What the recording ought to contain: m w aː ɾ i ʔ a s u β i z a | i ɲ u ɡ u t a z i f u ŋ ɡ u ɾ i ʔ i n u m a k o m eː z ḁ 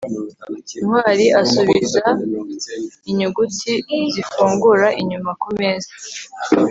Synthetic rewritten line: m w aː ɾ i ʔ a s u β i z a | i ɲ u ɡ u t i z i f uː ŋ ɡ u ɾ a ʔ i ɲ u m a k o m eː z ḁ